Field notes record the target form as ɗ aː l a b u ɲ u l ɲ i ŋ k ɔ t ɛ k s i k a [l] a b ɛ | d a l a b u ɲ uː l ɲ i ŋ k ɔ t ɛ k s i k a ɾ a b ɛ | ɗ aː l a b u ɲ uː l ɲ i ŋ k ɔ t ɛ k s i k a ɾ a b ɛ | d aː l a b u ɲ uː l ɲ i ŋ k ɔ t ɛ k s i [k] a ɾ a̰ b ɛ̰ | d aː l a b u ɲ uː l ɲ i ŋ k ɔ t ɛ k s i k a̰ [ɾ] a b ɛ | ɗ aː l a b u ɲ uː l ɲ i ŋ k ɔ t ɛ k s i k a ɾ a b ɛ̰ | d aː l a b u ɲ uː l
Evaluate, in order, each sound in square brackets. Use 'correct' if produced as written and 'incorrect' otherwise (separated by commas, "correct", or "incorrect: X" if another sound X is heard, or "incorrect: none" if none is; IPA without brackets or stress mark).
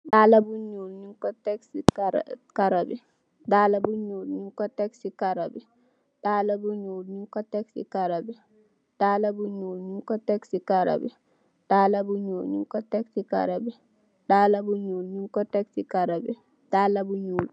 incorrect: ɾ, correct, correct